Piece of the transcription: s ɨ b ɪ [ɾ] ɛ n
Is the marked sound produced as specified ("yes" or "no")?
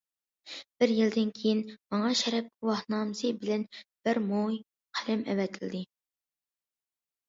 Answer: no